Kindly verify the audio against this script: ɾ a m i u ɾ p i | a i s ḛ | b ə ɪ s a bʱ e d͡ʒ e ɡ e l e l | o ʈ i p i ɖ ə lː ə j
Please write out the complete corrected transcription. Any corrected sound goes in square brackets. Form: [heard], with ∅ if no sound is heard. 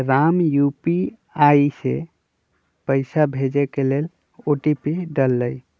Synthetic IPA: ɾ a m [j] u [∅] p i | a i s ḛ | [p] ə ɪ s a bʱ e d͡ʒ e [k] e l e l | o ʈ i p i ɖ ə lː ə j